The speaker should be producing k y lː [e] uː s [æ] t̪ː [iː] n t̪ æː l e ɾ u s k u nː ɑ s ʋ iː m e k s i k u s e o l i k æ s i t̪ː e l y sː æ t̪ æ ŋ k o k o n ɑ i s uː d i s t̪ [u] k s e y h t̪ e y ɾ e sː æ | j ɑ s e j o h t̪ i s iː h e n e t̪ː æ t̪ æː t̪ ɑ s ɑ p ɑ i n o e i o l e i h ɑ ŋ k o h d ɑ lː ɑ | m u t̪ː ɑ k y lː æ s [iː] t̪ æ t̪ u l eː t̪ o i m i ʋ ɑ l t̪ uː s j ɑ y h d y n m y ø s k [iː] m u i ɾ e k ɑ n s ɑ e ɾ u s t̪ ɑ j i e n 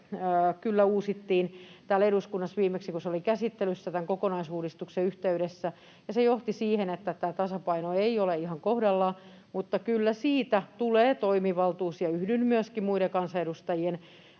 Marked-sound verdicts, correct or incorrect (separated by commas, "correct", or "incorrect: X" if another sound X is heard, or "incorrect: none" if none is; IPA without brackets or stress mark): incorrect: æ, incorrect: i, correct, correct, correct, incorrect: i